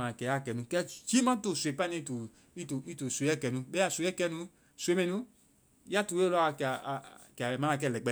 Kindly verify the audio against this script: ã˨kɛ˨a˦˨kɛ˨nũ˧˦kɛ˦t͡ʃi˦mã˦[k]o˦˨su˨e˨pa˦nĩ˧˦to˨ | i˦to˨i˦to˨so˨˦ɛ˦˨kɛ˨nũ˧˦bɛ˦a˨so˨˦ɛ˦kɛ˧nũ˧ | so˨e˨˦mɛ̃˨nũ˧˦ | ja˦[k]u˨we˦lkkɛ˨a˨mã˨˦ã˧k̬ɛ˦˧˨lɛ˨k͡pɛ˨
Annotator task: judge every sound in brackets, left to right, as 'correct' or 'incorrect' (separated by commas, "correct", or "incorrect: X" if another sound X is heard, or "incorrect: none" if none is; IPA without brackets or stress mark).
incorrect: t, incorrect: t